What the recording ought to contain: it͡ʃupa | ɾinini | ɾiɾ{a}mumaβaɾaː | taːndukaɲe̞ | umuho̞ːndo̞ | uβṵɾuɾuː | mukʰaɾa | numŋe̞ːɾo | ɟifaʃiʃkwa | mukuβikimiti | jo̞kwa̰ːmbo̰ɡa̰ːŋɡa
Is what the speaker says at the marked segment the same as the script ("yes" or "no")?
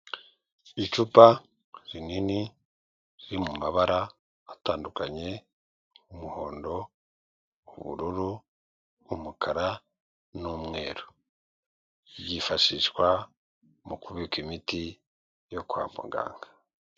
no